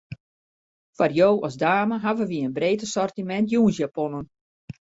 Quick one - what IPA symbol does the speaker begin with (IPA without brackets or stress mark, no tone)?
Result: f